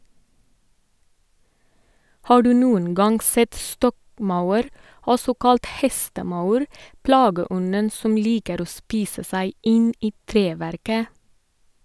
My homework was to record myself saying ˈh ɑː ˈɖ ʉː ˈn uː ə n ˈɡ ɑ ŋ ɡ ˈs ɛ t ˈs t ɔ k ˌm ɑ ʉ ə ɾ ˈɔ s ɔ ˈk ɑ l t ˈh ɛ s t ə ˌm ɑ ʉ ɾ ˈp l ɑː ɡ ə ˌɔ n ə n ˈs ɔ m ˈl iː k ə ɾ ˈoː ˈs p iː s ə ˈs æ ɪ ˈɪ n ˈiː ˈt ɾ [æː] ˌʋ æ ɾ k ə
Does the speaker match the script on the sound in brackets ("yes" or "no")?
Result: no